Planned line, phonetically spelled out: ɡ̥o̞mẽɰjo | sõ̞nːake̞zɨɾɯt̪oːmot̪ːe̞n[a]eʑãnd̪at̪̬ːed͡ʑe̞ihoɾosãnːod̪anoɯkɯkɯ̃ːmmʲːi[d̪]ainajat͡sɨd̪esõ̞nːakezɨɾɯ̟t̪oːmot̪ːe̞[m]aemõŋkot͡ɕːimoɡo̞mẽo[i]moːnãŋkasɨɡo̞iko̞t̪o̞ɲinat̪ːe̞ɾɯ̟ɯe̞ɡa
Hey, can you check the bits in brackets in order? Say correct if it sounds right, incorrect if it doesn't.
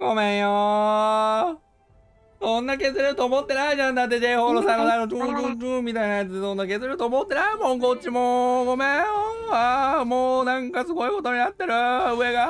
correct, incorrect: t̪, incorrect: n, incorrect: a

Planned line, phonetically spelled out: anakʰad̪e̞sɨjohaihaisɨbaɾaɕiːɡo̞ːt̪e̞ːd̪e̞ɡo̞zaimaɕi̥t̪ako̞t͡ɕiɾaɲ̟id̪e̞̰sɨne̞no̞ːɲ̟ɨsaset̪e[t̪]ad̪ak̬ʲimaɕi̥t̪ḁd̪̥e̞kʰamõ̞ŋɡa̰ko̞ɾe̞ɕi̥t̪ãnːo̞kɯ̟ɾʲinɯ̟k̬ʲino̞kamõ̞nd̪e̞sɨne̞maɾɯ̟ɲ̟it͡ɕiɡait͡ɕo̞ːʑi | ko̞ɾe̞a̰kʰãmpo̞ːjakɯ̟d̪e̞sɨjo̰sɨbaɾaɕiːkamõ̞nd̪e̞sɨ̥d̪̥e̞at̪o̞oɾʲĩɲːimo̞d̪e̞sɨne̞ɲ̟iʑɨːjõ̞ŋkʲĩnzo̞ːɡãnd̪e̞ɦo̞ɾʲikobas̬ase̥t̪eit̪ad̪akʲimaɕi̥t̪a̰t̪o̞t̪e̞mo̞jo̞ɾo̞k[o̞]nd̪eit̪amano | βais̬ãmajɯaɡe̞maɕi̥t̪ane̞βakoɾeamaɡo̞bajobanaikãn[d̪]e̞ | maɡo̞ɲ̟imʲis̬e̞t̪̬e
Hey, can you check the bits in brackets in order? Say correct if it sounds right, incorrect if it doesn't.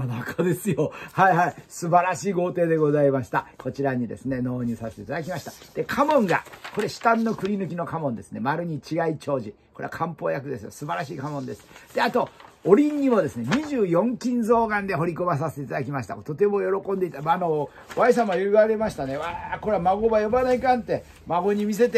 correct, incorrect: õ̞, incorrect: t̪

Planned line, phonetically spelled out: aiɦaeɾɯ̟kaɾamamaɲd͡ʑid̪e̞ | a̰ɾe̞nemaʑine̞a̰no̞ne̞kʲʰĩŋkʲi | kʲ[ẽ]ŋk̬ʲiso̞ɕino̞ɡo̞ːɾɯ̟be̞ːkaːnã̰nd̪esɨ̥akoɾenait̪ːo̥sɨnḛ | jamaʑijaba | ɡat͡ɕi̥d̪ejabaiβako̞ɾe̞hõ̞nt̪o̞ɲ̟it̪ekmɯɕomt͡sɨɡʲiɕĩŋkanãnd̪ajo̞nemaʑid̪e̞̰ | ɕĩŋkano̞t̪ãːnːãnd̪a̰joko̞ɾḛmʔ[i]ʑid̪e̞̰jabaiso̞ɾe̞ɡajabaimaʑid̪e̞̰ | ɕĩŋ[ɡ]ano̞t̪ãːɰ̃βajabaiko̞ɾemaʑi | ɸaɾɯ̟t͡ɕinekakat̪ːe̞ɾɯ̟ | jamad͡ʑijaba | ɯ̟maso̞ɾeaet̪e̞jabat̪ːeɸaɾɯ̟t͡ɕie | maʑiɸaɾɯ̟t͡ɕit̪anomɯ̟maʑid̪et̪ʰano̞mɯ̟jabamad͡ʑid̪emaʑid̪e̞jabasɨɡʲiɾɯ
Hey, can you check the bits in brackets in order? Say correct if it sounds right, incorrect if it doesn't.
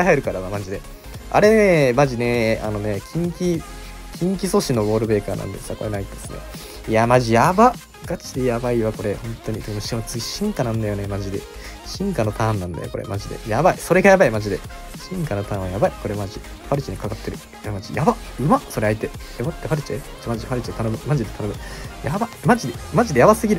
incorrect: ĩ, incorrect: a, incorrect: k

